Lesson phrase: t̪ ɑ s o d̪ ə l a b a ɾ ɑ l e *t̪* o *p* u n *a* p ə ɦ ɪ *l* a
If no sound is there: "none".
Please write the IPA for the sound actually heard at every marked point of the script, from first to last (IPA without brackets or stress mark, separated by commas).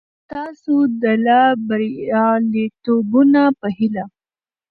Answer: t̪, b, a, l